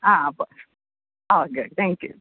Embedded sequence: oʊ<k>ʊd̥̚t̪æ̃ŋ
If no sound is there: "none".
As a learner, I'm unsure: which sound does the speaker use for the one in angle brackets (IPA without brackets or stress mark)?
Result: ɡ